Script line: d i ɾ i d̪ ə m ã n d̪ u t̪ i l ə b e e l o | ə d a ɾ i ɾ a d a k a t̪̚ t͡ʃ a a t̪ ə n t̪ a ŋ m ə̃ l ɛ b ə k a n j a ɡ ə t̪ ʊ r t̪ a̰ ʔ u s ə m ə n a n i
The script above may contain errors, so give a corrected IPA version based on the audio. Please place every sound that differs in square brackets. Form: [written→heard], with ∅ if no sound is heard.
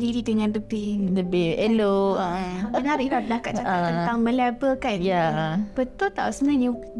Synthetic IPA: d i ɾ i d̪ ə [m→ŋ] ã n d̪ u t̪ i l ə b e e l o | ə [d→n] a ɾ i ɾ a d a k a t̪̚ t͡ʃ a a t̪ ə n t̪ a ŋ m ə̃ l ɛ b ə k a n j a [ɡ→b] ə t̪ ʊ [r→l] t̪ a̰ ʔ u s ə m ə n a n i